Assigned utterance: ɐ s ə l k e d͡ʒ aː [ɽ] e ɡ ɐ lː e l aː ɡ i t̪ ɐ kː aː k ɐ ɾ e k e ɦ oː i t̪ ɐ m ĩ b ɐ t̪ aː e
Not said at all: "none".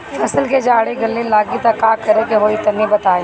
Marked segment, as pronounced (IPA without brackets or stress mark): ɽ